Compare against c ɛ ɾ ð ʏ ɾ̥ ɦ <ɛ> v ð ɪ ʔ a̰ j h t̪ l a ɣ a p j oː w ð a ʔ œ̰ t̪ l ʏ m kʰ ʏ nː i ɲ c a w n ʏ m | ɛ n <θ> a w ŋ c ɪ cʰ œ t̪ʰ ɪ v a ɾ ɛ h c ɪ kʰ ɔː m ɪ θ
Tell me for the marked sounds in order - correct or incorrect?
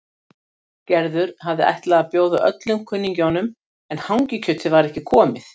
incorrect, incorrect

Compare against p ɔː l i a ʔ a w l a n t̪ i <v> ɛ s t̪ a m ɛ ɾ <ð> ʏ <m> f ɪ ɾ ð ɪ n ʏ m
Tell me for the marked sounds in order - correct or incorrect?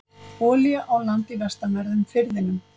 correct, correct, correct

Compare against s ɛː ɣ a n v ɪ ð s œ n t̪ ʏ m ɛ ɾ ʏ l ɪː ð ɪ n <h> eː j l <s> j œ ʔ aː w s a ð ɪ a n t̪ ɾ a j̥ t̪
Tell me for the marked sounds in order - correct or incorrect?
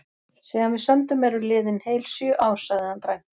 correct, correct

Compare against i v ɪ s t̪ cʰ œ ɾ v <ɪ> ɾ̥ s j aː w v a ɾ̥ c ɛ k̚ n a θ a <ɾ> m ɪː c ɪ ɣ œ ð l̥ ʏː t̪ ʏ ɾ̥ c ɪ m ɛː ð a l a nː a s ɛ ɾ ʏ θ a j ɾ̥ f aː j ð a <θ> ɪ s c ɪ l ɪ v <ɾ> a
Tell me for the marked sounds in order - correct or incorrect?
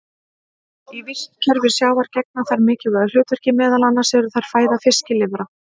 correct, correct, incorrect, correct

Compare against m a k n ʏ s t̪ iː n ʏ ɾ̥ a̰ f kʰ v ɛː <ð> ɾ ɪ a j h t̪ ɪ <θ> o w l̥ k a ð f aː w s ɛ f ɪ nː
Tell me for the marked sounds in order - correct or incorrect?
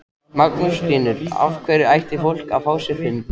incorrect, incorrect

